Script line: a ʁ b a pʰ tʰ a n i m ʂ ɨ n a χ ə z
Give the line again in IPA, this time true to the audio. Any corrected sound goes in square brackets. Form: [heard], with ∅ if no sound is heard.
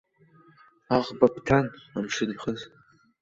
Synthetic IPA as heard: a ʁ b a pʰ tʰ a n [a] m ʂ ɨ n [i] χ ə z